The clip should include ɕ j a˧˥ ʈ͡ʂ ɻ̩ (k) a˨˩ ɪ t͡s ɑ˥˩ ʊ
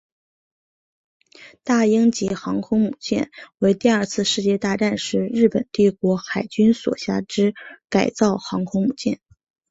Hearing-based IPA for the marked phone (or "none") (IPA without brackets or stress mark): k